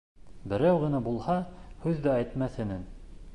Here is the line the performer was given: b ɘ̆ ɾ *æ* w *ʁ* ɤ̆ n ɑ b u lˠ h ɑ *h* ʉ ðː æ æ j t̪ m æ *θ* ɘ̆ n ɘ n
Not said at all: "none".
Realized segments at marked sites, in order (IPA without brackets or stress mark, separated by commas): æ, ʁ, h, θ